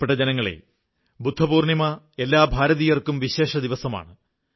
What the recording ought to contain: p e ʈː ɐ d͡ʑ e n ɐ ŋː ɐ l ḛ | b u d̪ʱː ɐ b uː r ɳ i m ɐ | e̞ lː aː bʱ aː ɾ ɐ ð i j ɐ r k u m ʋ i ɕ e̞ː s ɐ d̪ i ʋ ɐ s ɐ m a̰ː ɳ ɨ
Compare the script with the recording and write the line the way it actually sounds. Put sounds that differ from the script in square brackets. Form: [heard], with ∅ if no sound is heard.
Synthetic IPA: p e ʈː ɐ d͡ʑ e n ɐ ŋː ɐ [ɭ] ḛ | b u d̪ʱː ɐ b uː r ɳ i m ɐ | e̞ lː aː bʱ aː ɾ ɐ ð i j ɐ r k u m ʋ i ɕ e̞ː [ʂ] ɐ d̪ i ʋ ɐ s ɐ m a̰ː ɳ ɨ